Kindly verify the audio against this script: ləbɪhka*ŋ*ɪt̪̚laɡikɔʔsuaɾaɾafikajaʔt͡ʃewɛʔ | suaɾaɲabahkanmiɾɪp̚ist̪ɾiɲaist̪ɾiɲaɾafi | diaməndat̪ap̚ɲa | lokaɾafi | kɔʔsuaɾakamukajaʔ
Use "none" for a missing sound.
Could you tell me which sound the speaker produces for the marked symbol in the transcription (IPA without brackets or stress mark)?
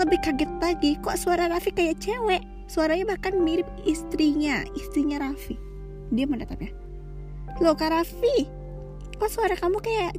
ɡ